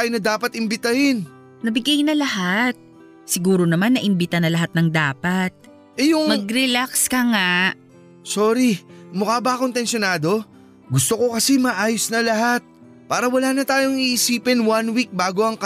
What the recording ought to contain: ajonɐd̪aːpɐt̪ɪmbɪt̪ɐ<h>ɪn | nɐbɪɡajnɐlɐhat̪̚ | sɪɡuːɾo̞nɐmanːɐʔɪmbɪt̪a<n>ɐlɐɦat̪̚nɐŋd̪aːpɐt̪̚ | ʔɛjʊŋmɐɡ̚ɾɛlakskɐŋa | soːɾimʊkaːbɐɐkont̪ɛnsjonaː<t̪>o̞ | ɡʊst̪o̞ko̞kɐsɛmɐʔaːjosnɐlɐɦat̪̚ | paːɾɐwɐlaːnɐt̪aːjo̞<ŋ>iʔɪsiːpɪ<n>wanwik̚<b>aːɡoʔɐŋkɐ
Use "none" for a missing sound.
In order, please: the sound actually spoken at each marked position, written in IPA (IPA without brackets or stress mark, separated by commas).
h, n, d̪, ŋ, n, b